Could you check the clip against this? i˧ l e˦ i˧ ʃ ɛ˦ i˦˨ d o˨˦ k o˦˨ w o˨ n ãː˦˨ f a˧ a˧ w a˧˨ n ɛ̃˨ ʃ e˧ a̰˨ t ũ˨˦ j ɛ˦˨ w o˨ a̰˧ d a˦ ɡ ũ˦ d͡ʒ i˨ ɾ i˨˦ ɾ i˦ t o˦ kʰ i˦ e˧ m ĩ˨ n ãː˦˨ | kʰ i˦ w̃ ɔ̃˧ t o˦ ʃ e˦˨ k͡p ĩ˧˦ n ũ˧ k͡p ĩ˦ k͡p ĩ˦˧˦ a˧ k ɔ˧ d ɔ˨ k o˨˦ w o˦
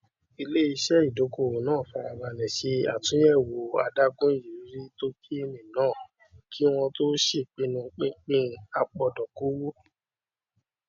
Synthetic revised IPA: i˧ l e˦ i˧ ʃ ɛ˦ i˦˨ d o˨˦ k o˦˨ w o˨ n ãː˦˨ f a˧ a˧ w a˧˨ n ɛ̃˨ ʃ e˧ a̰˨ t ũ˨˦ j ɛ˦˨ w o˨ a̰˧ d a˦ ɡ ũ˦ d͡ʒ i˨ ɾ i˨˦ ɾ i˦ t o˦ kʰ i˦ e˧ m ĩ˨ n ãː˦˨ | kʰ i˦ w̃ ɔ̃˧ t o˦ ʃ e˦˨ k͡p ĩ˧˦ n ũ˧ k͡p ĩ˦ k͡p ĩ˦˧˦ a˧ k͡p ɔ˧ d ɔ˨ k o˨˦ w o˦